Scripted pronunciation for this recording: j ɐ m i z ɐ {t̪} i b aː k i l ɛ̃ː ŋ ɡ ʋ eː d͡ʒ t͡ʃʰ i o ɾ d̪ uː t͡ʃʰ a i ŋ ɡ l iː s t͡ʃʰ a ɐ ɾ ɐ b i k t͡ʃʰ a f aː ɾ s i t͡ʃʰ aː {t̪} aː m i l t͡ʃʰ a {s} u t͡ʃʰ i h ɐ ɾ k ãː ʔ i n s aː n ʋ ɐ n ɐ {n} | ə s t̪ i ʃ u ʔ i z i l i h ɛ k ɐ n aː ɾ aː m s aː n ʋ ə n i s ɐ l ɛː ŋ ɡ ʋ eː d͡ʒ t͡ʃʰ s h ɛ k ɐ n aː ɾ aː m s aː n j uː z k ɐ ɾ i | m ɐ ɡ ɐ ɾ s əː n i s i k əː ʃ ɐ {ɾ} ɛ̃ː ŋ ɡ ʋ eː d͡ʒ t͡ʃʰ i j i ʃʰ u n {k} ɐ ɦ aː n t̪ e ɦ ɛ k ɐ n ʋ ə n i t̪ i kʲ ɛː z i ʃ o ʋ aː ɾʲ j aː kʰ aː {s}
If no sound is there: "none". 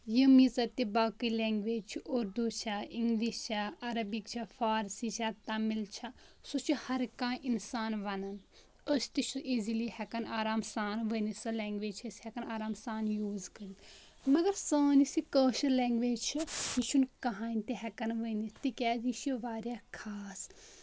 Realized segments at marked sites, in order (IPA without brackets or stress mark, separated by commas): t̪, t̪, s, n, l, k, s